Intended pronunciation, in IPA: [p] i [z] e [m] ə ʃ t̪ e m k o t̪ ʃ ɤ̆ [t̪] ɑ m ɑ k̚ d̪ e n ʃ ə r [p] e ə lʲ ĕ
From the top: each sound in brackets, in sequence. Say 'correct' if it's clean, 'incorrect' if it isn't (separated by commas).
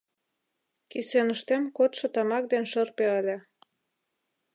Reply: incorrect, incorrect, incorrect, correct, correct